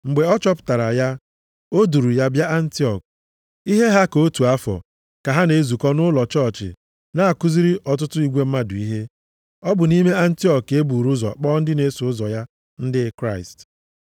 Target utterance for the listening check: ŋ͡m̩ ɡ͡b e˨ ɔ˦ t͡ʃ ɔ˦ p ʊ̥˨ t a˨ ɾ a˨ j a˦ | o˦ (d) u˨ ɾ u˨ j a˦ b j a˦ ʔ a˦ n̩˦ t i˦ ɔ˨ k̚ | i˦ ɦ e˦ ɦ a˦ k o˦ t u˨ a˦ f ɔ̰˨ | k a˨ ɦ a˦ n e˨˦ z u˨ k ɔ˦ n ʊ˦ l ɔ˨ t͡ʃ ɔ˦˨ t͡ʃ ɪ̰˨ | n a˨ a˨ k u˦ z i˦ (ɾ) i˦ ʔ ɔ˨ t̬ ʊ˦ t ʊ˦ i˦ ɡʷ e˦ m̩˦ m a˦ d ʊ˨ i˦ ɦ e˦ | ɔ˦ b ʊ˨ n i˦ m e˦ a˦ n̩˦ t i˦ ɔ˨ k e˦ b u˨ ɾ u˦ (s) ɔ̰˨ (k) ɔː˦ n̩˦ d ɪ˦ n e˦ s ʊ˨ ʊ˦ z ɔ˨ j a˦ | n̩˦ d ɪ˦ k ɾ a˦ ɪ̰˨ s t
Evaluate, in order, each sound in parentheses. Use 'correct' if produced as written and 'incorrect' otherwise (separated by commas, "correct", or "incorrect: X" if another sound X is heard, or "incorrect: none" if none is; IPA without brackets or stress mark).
correct, correct, incorrect: z, incorrect: k͡p